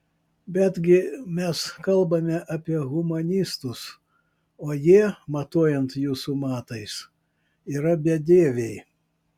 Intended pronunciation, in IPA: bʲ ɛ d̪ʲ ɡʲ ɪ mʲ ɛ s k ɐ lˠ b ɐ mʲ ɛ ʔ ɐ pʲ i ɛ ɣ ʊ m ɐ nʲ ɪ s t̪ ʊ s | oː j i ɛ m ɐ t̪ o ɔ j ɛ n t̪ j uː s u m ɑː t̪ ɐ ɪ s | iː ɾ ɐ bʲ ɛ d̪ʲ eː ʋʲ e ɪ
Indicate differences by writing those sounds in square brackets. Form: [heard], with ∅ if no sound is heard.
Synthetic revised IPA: bʲ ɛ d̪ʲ ɡʲ ɪ mʲ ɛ s k ɐ lˠ b ɐ mʲ ɛ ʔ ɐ pʲ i ɛ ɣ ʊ m ɐ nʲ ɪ s t̪ ʊ s | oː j i ɛ m ɐ t̪ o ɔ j ɛ n t̪ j uː s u m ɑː t̪ ɐ ɪ s | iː ɾ ɐ bʲ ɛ d̪ʲ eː ʋʲ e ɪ